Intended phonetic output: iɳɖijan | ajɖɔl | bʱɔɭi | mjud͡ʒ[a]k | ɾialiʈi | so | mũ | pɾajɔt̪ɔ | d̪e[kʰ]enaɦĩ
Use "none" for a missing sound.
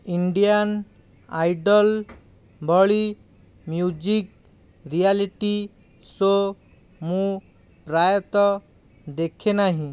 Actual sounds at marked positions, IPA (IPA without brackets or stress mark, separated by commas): i, kʰ